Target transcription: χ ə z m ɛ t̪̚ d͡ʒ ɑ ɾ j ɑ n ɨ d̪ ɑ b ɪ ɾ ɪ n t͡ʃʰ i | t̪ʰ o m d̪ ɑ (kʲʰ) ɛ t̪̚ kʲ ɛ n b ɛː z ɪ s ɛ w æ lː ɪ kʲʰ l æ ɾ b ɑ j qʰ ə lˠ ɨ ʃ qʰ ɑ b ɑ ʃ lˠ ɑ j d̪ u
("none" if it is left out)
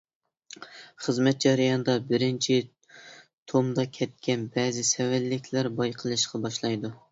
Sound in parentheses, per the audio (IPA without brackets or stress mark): kʲʰ